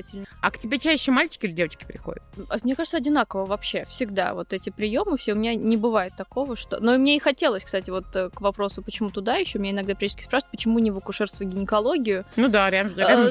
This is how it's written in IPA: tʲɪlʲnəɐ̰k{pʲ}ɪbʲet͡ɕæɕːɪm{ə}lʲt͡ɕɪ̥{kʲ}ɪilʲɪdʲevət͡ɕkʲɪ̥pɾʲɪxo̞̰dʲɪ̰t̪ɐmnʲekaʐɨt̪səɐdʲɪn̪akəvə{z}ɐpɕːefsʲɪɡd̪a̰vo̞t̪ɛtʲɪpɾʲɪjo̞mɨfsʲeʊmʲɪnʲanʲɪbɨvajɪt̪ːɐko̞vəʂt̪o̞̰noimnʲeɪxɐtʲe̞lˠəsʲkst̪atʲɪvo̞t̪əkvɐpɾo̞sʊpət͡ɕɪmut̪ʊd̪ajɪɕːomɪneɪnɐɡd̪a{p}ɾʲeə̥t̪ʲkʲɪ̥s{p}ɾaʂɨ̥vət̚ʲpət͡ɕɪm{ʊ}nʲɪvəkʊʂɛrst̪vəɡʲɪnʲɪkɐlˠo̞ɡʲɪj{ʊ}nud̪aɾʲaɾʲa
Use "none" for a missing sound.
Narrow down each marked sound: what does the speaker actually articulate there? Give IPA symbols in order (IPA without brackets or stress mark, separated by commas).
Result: tʲ, a, kʲ, v, p, p, u, ʊ